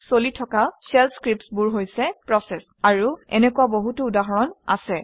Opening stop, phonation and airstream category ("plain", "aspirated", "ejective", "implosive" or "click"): aspirated